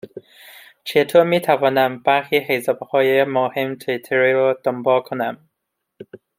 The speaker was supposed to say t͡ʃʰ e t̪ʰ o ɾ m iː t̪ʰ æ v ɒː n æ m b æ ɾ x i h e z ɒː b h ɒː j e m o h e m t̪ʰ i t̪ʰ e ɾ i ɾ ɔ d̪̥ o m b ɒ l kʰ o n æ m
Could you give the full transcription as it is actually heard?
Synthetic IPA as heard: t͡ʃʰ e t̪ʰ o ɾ m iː t̪ʰ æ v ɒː n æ m b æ ɾ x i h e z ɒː b h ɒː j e m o h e m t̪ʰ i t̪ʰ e ɾ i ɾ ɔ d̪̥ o m b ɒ l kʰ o n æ m